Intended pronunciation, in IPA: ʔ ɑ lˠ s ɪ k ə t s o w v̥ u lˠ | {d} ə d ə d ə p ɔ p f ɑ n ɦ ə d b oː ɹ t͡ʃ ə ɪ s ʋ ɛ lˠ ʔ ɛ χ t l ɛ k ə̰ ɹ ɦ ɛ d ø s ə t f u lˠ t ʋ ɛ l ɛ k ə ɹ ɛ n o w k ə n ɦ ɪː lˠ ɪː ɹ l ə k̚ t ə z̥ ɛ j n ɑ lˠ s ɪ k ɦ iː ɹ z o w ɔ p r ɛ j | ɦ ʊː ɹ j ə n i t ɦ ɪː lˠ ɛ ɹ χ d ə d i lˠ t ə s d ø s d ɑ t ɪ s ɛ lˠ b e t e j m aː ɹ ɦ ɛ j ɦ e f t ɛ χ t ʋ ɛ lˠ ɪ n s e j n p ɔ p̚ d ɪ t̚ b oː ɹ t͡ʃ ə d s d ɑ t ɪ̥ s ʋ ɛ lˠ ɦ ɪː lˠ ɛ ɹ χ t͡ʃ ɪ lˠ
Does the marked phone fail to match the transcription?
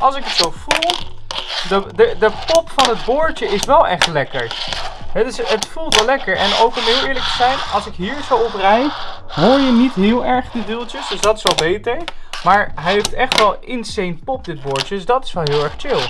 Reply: no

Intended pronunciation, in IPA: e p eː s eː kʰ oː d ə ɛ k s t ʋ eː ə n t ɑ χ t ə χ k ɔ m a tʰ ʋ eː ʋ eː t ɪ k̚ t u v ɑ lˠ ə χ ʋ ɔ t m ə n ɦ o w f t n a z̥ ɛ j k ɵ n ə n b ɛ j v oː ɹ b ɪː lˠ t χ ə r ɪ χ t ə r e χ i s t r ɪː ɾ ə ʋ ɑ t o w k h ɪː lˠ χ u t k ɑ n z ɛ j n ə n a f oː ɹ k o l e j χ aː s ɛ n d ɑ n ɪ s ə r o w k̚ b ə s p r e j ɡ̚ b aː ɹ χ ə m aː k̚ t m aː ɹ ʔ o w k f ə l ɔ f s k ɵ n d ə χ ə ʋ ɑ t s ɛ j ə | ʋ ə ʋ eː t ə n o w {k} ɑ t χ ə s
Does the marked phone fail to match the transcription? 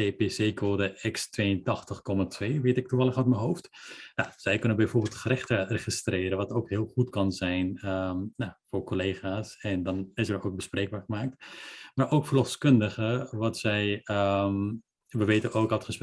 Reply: no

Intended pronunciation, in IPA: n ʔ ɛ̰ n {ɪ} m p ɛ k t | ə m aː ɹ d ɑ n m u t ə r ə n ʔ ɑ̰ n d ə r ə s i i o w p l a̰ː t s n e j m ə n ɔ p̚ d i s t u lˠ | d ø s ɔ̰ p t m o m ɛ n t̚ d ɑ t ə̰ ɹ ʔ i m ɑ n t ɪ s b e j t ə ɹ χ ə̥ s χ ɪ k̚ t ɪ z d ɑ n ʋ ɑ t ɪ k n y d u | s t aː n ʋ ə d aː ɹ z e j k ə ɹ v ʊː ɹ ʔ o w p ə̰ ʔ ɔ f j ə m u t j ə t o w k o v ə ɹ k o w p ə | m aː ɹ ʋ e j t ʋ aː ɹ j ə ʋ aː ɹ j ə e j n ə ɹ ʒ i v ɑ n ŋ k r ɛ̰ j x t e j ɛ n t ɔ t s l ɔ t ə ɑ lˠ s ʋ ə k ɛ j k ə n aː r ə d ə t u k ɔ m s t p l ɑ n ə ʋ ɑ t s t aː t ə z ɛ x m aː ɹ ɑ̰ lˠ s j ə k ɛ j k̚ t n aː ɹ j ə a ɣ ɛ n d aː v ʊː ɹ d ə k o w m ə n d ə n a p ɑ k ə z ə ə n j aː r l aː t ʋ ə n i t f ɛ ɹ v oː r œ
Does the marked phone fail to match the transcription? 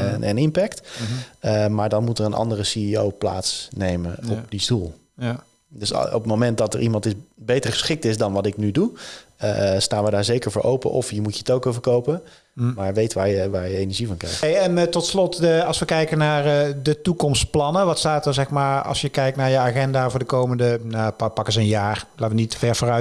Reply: no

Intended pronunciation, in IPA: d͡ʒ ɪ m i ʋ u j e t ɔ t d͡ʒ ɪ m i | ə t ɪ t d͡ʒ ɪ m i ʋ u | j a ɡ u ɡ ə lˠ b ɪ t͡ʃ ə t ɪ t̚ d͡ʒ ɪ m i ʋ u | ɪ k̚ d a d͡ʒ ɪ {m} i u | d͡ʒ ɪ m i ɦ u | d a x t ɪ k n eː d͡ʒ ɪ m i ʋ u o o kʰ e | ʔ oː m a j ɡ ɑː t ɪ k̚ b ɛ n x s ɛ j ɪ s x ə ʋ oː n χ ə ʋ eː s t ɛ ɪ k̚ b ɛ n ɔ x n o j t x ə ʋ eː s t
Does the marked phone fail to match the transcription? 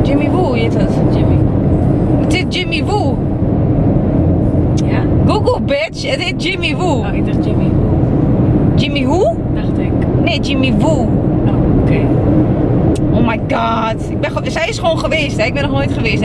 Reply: no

